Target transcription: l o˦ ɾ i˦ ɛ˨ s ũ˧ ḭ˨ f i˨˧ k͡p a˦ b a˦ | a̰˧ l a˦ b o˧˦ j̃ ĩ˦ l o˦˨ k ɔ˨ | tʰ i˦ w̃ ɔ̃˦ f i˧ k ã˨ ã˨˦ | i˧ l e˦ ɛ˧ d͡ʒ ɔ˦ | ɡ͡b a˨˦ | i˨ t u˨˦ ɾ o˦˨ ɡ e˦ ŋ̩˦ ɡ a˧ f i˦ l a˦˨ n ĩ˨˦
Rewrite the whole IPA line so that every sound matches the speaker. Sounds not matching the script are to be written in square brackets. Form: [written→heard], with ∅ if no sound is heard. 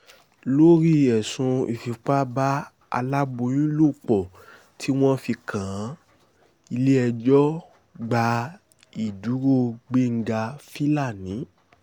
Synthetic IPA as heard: l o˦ ɾ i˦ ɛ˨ s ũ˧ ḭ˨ f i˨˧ k͡p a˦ b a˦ | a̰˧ l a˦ b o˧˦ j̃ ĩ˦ l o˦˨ [k→k͡p] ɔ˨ | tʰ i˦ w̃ ɔ̃˦ f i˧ k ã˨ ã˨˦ | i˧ l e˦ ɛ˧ d͡ʒ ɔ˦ | ɡ͡b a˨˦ | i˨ [t→d] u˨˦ ɾ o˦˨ [ɡ→ɡ͡b] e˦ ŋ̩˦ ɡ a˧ f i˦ l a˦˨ n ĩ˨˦